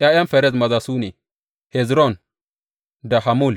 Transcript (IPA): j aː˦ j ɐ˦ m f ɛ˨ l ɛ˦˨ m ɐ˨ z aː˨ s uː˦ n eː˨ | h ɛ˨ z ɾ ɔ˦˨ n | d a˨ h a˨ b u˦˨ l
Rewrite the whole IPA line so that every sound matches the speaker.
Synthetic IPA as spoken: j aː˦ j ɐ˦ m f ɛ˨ ɾ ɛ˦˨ m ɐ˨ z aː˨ s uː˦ n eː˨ | h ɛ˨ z ɾ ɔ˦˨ n | d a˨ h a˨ m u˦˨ l